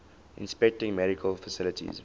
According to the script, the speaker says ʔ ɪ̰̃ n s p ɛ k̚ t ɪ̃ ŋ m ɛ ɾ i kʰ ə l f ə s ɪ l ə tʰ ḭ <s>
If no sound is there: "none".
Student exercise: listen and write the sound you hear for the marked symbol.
z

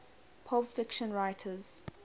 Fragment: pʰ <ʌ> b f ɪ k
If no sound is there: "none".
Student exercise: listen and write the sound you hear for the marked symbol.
ɔ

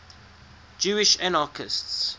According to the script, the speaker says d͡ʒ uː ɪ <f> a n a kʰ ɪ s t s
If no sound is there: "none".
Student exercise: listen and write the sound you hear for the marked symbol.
ʃ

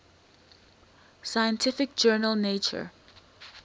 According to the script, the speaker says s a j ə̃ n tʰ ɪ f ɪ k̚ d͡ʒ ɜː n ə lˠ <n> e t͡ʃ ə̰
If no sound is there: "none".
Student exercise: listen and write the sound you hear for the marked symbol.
n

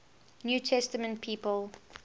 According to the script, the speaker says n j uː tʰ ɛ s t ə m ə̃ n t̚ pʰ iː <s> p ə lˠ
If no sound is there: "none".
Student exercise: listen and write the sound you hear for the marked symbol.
none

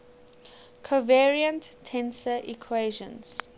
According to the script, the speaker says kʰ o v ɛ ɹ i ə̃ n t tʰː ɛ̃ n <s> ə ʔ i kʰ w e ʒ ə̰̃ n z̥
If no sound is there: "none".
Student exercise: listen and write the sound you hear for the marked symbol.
s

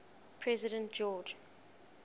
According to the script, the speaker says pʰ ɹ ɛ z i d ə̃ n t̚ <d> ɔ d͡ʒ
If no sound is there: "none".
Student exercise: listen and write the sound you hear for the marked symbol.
d͡ʒ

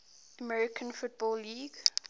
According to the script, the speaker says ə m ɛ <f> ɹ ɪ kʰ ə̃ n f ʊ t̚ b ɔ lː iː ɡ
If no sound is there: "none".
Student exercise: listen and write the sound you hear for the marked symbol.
none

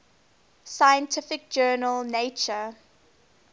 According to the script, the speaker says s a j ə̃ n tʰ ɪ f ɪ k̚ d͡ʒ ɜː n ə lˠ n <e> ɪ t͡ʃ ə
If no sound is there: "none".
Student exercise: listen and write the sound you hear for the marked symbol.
e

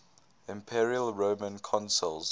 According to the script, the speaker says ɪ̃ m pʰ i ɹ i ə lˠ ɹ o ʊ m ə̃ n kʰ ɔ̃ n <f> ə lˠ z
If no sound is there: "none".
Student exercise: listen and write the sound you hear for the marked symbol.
s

